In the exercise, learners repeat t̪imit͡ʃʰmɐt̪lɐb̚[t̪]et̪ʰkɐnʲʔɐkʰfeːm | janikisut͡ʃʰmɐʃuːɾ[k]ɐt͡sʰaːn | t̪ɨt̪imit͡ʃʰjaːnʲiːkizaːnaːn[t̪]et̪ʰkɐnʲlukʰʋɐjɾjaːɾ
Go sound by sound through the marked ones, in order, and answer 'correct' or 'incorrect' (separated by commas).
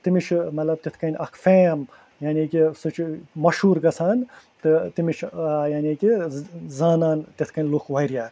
correct, incorrect, correct